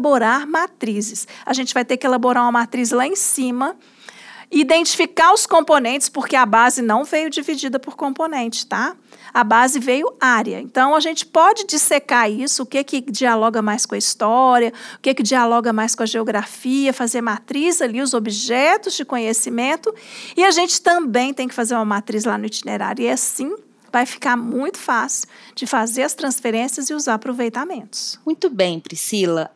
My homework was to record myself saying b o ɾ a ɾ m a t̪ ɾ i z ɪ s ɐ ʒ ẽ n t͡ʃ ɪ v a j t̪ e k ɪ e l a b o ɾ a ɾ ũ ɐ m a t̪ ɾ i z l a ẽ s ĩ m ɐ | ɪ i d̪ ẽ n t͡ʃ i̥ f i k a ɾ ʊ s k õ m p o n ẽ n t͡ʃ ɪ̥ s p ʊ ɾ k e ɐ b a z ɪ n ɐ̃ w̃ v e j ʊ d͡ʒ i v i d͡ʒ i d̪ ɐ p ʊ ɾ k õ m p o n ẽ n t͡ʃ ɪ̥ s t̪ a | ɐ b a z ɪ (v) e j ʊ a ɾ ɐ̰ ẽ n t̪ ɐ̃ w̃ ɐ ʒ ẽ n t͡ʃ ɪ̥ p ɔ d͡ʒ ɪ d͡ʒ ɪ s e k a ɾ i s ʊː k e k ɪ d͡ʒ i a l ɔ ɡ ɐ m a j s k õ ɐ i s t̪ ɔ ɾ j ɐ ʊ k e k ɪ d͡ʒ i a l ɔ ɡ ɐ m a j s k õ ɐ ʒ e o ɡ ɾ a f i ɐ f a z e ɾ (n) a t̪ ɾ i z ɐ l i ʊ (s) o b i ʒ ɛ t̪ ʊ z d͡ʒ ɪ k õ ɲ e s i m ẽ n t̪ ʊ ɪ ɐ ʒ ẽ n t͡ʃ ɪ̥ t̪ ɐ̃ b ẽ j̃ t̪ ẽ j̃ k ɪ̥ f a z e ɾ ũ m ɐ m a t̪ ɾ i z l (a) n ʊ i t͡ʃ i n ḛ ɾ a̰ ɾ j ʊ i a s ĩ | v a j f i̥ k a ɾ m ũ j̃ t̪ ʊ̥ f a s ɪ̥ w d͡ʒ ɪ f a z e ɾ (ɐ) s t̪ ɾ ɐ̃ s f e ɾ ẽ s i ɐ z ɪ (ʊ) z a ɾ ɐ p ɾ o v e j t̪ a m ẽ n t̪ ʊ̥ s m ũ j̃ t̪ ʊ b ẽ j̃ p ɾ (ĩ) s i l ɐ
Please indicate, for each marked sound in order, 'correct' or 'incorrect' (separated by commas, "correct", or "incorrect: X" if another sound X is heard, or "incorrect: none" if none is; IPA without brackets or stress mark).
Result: correct, incorrect: m, incorrect: z, correct, correct, incorrect: u, incorrect: i